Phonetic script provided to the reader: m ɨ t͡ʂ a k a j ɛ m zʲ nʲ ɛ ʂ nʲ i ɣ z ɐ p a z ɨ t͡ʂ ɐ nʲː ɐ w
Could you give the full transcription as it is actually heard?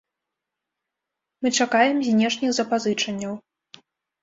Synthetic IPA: m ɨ t͡ʂ a k a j ɛ m zʲ nʲ ɛ ʂ nʲ i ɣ z ɐ p a z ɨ t͡ʂ ɐ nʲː ɐ w